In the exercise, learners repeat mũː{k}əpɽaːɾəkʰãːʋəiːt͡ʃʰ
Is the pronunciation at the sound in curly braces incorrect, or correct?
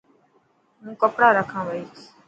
correct